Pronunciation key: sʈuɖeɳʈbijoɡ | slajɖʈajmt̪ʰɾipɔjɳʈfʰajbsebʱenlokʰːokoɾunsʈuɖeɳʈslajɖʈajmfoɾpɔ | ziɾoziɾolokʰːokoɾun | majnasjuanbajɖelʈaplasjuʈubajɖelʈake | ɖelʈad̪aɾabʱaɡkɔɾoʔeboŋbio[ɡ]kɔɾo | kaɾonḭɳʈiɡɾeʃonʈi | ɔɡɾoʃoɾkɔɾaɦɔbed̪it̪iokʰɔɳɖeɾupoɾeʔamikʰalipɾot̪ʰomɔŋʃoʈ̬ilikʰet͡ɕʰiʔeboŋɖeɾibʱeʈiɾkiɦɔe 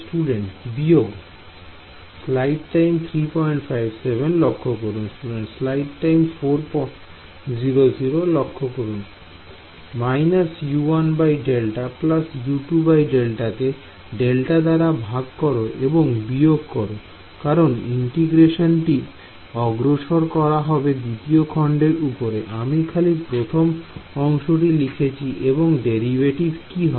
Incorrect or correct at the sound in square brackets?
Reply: correct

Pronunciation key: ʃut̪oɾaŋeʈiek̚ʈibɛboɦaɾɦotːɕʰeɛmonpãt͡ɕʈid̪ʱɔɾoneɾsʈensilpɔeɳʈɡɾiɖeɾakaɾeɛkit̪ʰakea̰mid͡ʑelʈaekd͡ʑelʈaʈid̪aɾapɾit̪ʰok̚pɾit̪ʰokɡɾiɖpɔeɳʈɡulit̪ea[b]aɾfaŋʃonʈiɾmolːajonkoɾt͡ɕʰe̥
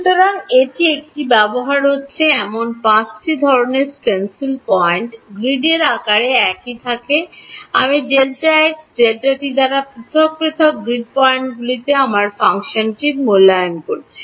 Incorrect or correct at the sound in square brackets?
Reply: incorrect: m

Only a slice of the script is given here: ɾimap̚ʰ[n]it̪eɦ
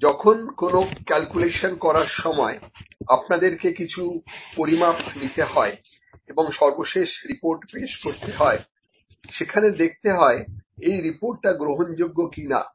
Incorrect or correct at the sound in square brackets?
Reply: correct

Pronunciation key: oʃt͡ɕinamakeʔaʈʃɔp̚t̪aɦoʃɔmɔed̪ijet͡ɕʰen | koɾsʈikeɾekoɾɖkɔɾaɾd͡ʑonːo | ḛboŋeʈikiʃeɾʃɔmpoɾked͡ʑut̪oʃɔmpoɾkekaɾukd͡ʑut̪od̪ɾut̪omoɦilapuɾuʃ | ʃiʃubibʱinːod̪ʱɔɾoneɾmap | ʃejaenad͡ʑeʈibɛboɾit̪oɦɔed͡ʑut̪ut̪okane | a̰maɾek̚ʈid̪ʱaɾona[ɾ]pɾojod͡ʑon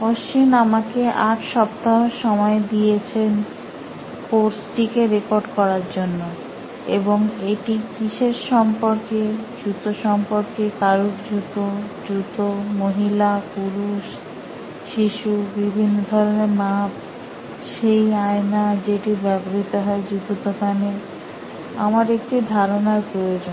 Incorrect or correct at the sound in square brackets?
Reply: correct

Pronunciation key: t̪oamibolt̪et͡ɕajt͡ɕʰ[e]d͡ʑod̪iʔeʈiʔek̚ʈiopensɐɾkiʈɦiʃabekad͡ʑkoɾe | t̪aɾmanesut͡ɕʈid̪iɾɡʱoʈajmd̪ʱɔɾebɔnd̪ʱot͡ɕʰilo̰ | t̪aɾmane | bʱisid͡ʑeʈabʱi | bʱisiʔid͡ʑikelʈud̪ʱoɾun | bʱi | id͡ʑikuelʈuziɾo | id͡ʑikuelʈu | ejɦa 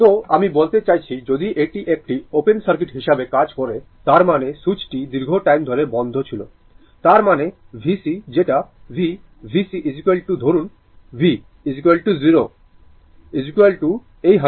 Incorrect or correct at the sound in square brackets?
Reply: incorrect: i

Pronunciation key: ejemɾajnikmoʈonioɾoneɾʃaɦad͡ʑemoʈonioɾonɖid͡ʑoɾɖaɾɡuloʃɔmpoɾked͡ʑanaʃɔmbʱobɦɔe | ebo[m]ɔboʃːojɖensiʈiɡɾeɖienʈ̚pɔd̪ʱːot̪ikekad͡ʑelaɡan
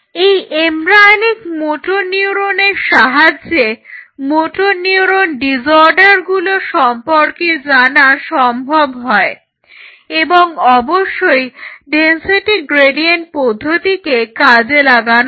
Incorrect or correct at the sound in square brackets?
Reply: incorrect: ŋ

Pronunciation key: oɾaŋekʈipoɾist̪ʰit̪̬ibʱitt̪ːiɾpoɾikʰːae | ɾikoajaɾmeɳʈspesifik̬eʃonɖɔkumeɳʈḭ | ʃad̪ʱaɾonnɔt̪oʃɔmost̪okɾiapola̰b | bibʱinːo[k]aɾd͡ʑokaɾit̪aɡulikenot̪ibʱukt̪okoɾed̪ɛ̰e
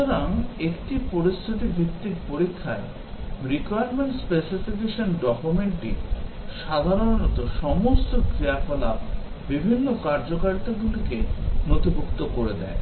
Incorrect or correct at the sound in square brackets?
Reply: correct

